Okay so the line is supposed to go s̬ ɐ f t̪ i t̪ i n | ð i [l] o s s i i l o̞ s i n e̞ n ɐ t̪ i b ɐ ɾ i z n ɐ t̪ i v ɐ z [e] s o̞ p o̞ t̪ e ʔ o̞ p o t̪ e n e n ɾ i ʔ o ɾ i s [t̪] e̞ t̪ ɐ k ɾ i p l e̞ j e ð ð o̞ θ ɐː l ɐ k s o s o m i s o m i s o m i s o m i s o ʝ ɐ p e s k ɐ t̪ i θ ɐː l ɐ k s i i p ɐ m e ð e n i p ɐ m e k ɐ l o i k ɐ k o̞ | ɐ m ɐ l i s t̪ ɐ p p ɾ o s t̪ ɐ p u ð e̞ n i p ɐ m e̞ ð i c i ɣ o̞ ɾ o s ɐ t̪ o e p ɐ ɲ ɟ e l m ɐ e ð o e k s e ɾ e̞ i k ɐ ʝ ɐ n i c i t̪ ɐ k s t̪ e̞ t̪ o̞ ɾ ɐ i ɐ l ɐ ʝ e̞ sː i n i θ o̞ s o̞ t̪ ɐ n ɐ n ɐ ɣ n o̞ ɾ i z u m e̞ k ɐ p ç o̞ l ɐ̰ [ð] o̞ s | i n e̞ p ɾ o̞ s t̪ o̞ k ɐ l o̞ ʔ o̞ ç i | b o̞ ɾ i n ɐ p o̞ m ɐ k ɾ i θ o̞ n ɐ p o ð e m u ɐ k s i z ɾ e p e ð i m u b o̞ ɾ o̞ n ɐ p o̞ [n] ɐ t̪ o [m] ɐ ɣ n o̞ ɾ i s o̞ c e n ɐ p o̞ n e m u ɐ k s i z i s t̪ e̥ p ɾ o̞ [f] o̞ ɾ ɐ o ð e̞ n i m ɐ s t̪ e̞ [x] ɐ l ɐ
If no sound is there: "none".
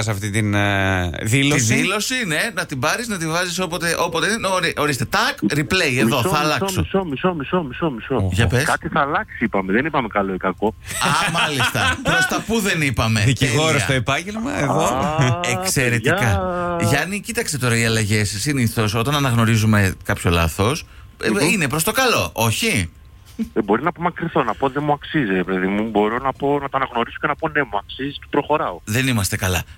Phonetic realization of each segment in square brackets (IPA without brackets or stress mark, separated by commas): l, i, t̪, θ, n, n, x, k